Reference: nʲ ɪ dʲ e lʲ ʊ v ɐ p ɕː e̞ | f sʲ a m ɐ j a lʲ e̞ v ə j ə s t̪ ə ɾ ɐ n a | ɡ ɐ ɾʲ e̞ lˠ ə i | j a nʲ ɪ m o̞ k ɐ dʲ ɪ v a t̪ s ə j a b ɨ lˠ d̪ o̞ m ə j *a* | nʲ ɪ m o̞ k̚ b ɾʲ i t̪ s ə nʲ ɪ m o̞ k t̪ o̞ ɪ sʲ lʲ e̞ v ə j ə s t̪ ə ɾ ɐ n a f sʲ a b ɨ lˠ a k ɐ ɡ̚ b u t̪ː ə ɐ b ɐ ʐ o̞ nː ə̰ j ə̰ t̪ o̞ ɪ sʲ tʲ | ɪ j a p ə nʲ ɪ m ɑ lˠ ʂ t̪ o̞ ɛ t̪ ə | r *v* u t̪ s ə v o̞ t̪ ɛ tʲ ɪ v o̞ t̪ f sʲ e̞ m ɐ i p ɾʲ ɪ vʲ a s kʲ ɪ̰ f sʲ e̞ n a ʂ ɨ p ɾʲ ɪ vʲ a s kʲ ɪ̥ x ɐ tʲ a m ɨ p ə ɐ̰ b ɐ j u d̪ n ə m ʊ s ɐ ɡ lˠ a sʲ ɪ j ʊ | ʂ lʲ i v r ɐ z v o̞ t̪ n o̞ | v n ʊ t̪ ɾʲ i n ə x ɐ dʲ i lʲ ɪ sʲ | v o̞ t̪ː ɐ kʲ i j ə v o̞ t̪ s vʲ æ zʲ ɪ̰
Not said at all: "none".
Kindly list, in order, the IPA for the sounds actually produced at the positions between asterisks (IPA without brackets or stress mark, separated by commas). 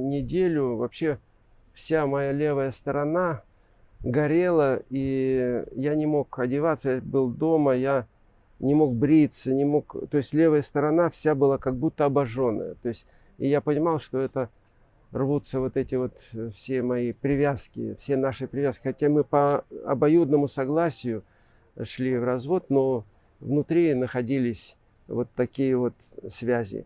a, v